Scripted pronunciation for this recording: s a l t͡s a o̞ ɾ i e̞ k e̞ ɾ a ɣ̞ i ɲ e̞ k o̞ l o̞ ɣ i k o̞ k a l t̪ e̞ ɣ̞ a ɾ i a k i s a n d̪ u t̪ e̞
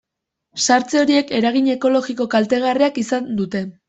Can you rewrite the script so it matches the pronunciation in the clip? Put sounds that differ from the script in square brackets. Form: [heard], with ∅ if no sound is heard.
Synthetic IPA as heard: s a [ɾ] t͡s [e] o̞ ɾ i e̞ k e̞ ɾ a ɣ̞ i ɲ e̞ k o̞ l o̞ ɣ i k o̞ k a l t̪ e̞ ɣ̞ a [r] i a k i s a n d̪ u t̪ e̞

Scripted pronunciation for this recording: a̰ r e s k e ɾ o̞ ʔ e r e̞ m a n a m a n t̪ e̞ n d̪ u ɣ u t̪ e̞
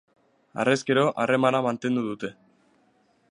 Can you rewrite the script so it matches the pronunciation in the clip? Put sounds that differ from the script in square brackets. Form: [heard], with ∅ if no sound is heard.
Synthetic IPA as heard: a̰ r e s k e ɾ o̞ ʔ [a] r e̞ m a n a m a n t̪ e̞ n d̪ u [ð] u t̪ e̞

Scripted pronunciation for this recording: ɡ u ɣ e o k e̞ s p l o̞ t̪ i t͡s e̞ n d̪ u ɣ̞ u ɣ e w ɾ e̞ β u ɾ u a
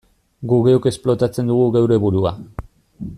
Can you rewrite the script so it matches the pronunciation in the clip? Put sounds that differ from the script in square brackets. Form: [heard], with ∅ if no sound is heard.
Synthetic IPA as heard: ɡ u ɣ e o k e̞ s p l o̞ t̪ [a] t͡s e̞ n d̪ u ɣ̞ u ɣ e w ɾ e̞ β u ɾ u a

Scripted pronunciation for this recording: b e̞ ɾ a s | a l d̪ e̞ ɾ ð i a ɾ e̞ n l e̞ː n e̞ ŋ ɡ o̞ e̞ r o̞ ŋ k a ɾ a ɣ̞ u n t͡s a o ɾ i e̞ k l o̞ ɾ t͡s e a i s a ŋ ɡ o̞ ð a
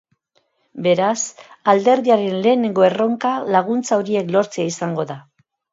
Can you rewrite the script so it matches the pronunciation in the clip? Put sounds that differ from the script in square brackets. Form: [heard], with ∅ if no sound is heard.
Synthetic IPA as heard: b e̞ ɾ a s | a l d̪ e̞ ɾ ð i a ɾ e̞ n l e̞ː n e̞ ŋ ɡ o̞ e̞ r o̞ ŋ k a [l] a ɣ̞ u n t͡s a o ɾ i e̞ k l o̞ ɾ t͡s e a i s a ŋ ɡ o̞ ð a

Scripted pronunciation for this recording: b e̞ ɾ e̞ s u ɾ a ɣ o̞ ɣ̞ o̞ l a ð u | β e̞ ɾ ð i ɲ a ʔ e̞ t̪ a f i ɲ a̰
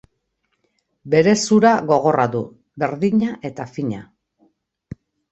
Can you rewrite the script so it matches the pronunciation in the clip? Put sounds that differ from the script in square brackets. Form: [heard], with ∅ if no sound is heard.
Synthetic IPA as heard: b e̞ ɾ e̞ s u ɾ a ɣ o̞ ɣ̞ o̞ [r] a ð u | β e̞ ɾ ð i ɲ a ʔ e̞ t̪ a f i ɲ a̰

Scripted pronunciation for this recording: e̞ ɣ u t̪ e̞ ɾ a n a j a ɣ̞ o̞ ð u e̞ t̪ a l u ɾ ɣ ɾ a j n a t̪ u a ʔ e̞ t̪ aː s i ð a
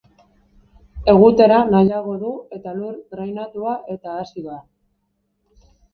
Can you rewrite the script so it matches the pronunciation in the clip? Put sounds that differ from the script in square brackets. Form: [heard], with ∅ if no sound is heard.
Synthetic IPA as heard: e̞ ɣ u t̪ e̞ ɾ a n a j a ɣ̞ o̞ ð u e̞ t̪ a l u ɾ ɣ ɾ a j n a t̪ u a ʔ e̞ t̪ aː s i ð a

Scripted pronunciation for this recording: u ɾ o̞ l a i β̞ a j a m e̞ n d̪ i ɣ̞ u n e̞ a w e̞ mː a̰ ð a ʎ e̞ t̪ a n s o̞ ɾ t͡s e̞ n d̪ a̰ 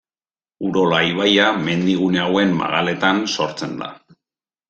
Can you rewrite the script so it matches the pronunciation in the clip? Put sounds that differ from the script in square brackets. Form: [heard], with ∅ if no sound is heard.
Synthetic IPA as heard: u ɾ o̞ l a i β̞ a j a m e̞ n d̪ i ɣ̞ u n e̞ a w e̞ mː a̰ [ɣ] a [l] e̞ t̪ a n s o̞ ɾ t͡s e̞ n d̪ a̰

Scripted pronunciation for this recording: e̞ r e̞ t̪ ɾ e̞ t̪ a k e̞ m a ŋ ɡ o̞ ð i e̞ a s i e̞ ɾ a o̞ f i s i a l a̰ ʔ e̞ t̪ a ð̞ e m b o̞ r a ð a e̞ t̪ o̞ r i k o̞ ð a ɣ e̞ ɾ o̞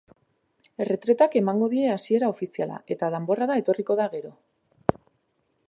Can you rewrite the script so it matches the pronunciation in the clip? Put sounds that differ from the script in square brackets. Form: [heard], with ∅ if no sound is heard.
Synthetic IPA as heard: e̞ r e̞ t̪ ɾ e̞ t̪ a k e̞ m a ŋ ɡ o̞ ð i e̞ a s i e̞ ɾ a o̞ f i s i a l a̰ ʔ e̞ t̪ a ð̞ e m b o̞ r a ð a e̞ t̪ o̞ r i k o̞ ð a ɣ e̞ ɾ o̞

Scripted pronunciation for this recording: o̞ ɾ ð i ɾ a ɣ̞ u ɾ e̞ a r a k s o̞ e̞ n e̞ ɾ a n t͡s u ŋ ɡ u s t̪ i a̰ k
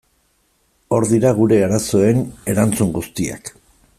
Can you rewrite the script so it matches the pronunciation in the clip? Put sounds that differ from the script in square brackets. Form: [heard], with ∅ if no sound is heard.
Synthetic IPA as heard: o̞ ɾ ð i ɾ a ɣ̞ u ɾ e̞ a [ɾ] a [∅] s o̞ e̞ n e̞ ɾ a n t͡s u ŋ ɡ u s t̪ i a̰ k

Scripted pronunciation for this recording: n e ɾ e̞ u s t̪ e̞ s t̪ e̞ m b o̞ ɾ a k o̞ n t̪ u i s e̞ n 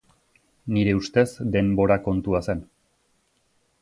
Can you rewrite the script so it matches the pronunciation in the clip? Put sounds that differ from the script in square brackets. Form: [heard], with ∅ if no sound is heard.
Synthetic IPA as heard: n [i] ɾ e̞ u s t̪ e̞ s [d̪] e̞ m b o̞ ɾ a k o̞ n t̪ u [a] s e̞ n

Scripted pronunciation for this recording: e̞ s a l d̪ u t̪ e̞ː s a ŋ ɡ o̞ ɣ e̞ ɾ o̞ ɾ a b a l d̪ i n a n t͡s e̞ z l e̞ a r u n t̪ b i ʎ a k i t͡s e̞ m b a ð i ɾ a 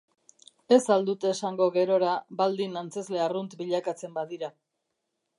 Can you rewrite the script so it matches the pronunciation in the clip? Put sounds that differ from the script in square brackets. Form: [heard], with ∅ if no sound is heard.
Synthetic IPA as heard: e̞ s a l d̪ u t̪ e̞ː s a ŋ ɡ o̞ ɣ e̞ ɾ o̞ ɾ a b a l d̪ i n a n t͡s e̞ z l e̞ a r u n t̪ b i ʎ a k [a] t͡s e̞ m b a ð i ɾ a

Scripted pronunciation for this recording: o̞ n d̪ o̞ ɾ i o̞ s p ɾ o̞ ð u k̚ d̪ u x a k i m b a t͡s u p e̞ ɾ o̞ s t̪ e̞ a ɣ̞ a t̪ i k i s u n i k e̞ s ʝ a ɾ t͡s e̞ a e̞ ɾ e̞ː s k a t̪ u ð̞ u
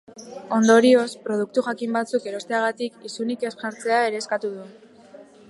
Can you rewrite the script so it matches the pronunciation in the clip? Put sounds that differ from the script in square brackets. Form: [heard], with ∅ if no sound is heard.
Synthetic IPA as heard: o̞ n d̪ o̞ ɾ i o̞ s p ɾ o̞ ð u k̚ [t̪] u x a k i m b a t͡s u [k] e̞ ɾ o̞ s t̪ e̞ a ɣ̞ a t̪ i k i s u n i k e̞ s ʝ a ɾ t͡s e̞ a e̞ ɾ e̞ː s k a t̪ u ð̞ u

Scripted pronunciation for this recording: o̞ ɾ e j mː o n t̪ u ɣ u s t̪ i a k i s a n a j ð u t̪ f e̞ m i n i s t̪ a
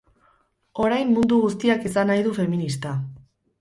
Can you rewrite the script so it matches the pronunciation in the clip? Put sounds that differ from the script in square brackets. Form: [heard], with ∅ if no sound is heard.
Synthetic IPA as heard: o̞ ɾ [a] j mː [u] n [d̪] u ɣ u s t̪ i a k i s a n a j ð u [∅] f e̞ m i n i s t̪ a

